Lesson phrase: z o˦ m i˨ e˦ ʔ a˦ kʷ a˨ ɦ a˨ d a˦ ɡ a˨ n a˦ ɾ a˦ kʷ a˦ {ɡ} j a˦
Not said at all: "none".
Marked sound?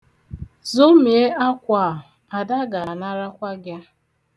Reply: ɡ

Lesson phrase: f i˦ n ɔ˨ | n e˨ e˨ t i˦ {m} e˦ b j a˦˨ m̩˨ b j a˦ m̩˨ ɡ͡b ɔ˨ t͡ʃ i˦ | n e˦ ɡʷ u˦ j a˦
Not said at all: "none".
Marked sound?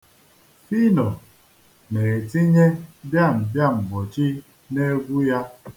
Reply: ɲ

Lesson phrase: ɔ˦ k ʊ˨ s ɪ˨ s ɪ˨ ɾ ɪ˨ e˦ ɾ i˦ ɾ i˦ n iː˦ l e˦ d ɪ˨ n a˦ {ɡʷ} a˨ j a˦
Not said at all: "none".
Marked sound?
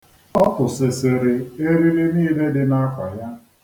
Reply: kʷ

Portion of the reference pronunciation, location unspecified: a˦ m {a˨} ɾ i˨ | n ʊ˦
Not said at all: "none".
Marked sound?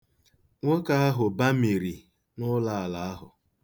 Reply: i˨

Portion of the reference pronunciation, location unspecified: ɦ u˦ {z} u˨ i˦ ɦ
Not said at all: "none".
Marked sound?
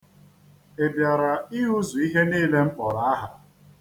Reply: z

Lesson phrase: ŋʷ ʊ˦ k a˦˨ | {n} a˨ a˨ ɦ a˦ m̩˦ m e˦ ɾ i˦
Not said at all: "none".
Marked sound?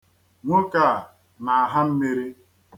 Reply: n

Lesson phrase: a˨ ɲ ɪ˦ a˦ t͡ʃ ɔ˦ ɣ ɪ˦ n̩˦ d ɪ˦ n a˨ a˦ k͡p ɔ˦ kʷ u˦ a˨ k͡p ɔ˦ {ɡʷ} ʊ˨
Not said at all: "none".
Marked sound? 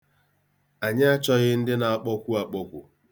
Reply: kʷ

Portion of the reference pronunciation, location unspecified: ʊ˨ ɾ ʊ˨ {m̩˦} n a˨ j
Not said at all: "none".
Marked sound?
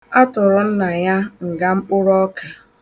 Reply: n̩˦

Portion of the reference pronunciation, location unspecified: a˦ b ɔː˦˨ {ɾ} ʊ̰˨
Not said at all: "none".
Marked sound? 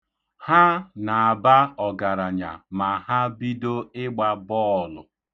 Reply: l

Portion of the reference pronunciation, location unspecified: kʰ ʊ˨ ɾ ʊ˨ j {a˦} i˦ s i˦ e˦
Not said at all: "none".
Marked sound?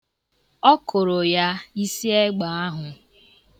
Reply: a˦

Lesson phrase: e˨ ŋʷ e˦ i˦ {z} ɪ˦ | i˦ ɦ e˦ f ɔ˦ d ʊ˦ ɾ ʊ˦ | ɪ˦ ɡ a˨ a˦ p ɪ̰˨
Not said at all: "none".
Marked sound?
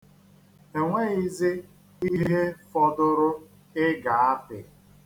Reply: z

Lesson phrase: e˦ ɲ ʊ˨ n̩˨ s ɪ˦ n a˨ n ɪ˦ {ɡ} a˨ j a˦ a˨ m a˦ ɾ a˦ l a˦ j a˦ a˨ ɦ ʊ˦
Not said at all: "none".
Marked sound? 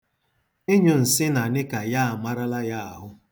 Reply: k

